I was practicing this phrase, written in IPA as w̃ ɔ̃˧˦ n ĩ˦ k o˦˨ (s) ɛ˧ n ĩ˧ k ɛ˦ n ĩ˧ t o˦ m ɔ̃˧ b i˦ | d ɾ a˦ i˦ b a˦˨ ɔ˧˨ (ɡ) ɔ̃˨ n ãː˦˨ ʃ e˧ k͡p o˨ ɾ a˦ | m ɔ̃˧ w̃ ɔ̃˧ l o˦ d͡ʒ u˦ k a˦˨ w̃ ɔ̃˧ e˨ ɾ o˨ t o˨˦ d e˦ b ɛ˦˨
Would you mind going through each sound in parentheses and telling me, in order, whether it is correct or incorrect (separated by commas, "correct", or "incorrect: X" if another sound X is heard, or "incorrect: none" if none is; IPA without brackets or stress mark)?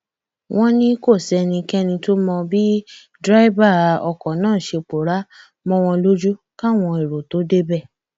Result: correct, incorrect: k